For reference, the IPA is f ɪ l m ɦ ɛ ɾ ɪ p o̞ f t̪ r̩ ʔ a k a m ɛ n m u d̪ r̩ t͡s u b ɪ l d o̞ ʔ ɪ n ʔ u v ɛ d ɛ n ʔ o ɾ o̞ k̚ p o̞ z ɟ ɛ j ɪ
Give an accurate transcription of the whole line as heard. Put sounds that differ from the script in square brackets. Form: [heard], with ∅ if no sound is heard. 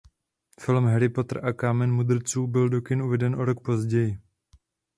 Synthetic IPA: f ɪ l m ɦ ɛ ɾ ɪ p o̞ [∅] t̪ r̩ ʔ a k a m ɛ n m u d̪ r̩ t͡s [uː] b ɪ l d o̞ [k] ɪ n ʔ u v ɛ d ɛ n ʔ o ɾ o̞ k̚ p o̞ z ɟ ɛ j ɪ